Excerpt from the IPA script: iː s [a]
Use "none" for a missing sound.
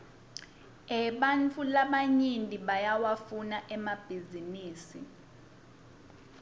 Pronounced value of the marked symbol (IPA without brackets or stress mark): i